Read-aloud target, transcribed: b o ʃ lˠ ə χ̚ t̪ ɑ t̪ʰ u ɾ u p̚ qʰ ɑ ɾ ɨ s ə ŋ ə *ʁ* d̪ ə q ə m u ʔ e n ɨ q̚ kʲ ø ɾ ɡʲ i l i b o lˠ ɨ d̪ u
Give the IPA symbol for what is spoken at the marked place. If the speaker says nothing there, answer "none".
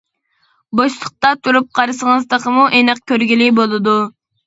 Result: z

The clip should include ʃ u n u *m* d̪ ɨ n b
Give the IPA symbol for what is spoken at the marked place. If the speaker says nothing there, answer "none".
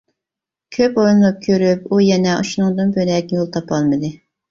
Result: ŋ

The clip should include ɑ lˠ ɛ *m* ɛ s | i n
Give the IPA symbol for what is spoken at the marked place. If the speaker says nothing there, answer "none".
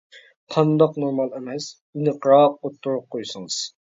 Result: m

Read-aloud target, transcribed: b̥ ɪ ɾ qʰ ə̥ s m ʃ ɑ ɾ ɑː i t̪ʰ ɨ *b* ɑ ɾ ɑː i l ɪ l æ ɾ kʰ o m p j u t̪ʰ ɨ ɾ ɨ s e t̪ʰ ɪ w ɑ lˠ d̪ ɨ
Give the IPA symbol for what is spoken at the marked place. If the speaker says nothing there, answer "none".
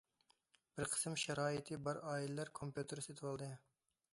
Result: b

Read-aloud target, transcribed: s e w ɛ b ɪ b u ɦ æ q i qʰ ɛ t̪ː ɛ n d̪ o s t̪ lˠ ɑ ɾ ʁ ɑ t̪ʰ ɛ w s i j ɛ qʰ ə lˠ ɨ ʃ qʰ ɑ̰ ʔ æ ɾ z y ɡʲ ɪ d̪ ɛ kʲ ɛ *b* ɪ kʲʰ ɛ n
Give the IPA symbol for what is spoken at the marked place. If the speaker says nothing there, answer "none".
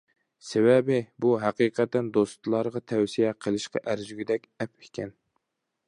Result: p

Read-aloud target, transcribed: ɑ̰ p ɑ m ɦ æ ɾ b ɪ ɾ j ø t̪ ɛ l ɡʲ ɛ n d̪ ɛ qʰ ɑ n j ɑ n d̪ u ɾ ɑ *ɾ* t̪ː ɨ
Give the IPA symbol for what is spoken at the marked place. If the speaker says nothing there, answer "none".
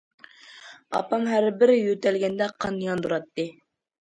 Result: none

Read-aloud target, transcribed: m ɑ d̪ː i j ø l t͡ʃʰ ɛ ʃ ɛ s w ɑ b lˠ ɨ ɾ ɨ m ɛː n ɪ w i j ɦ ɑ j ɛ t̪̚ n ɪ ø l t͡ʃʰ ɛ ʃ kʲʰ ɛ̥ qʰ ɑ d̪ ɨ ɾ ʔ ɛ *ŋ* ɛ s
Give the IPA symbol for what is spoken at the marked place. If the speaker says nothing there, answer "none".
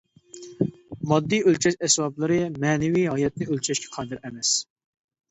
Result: m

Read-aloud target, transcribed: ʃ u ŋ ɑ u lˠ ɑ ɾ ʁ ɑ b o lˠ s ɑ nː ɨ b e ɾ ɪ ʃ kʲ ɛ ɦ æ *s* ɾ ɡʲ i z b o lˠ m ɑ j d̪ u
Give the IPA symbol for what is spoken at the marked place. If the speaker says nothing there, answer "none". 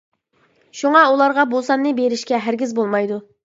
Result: none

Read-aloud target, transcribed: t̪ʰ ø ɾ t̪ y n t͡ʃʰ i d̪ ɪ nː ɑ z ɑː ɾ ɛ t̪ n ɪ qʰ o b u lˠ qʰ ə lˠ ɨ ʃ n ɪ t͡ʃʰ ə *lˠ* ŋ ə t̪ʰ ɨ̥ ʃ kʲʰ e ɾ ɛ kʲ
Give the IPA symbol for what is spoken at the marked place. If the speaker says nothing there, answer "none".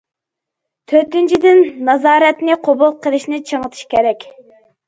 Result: none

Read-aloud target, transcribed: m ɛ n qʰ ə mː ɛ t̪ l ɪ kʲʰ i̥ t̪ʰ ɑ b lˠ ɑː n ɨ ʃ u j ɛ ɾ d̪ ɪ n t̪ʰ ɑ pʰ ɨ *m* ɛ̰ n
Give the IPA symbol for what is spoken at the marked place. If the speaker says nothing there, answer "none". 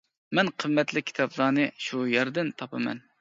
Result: m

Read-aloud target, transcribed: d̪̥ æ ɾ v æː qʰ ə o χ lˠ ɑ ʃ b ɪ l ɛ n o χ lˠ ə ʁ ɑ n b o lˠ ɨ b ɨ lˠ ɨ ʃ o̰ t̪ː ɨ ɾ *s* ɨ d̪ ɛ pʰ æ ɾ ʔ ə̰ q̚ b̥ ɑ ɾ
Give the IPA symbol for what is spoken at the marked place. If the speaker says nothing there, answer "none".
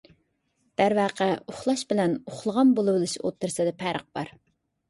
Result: s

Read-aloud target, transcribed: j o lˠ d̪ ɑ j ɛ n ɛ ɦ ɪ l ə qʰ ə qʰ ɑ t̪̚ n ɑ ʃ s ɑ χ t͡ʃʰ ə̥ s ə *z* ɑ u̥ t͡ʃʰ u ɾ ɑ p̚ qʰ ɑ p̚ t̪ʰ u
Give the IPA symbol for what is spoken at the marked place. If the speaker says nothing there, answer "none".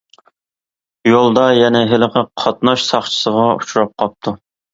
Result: ʁ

